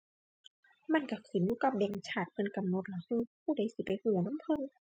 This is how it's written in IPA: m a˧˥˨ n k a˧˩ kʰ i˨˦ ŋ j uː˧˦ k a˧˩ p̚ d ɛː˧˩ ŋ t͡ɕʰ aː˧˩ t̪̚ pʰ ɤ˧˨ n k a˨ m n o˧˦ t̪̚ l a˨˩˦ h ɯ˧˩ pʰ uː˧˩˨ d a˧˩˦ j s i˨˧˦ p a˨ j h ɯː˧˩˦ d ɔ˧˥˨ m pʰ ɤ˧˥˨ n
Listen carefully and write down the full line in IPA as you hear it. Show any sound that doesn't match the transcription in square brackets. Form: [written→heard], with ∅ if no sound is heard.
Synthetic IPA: m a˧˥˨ n k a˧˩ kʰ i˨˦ [ŋ→n] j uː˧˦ k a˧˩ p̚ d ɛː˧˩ ŋ t͡ɕʰ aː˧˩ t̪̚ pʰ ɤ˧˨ n k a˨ m n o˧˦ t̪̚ l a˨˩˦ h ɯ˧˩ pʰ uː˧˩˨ d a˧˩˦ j s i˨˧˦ p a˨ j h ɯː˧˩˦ [d→n] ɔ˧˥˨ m pʰ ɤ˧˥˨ n